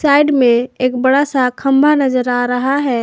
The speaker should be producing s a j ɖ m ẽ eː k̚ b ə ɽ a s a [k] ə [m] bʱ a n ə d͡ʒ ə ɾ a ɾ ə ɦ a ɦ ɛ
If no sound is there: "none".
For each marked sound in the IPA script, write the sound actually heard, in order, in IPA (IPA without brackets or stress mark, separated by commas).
kʰ, m